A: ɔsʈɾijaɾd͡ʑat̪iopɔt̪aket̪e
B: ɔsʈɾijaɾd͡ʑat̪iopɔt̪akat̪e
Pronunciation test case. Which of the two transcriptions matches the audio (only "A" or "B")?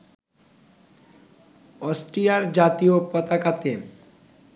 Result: B